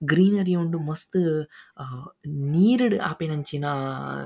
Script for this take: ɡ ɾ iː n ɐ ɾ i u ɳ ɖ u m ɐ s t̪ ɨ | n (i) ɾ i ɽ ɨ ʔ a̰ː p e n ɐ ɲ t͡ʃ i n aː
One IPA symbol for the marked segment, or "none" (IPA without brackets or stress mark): iː